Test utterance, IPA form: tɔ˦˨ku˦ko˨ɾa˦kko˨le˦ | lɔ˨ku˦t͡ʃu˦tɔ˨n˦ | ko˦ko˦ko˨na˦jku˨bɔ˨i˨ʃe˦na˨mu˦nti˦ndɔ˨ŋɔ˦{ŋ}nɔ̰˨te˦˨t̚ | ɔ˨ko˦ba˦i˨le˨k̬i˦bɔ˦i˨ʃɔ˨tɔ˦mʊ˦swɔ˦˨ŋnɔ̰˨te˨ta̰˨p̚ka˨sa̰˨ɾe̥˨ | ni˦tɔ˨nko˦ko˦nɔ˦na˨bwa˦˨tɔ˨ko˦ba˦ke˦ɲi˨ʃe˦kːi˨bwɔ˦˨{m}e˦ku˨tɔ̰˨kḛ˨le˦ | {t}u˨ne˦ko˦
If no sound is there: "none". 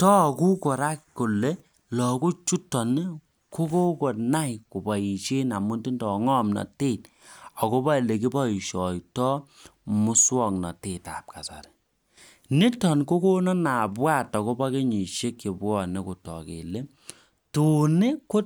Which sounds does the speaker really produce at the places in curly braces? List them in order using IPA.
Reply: m, n, t

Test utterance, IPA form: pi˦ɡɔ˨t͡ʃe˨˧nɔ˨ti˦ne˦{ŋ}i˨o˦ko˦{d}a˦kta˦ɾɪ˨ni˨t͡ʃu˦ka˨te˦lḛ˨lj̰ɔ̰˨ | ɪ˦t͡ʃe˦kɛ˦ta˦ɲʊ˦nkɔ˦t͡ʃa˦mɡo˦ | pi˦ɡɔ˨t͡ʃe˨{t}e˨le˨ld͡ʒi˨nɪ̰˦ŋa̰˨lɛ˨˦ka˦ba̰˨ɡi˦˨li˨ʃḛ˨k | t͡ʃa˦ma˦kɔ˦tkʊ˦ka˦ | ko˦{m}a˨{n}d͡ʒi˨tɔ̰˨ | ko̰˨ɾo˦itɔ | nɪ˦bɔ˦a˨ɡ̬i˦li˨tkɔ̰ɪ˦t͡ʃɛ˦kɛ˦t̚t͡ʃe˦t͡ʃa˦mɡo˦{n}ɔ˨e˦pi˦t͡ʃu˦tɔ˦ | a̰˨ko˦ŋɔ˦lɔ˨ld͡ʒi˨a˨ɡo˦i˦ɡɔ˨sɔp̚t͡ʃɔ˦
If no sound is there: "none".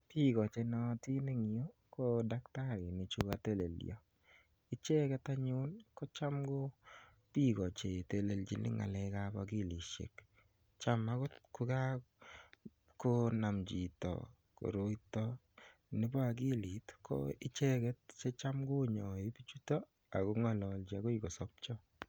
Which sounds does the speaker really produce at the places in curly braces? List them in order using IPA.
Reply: ŋ, d, t, n, m, ɲ

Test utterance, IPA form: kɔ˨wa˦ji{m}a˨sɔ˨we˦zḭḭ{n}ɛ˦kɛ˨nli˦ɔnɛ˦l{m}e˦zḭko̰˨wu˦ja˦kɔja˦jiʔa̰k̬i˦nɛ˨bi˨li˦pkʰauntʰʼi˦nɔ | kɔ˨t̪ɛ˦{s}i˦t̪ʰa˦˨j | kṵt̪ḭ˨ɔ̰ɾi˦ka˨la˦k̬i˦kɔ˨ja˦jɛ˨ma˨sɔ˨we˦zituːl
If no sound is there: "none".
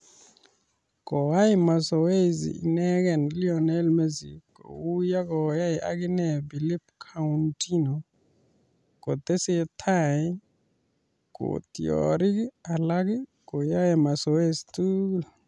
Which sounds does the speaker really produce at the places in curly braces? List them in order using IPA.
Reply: m, n, m, s

